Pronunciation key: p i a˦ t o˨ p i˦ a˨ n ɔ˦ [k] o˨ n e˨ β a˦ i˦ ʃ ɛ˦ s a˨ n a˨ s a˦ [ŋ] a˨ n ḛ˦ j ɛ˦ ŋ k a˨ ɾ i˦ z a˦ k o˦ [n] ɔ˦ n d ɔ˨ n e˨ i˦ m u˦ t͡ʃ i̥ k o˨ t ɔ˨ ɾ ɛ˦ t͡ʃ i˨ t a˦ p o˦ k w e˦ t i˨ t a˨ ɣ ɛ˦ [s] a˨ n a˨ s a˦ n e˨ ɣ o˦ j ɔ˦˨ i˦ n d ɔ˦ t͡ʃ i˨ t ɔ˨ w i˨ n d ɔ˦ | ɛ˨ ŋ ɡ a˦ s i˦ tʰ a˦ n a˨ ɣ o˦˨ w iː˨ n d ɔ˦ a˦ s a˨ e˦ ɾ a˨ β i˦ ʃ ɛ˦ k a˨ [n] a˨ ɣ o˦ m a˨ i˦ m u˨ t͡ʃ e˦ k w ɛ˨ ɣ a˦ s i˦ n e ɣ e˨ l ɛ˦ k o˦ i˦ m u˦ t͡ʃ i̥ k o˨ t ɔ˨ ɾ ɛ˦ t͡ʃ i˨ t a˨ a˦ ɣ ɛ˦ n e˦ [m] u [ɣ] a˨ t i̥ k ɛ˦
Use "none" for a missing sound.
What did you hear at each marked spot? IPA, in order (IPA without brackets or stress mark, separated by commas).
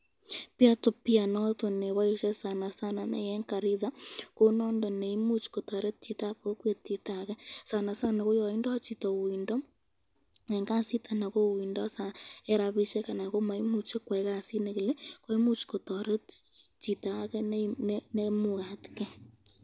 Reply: t, n, n, s, n, m, ɣ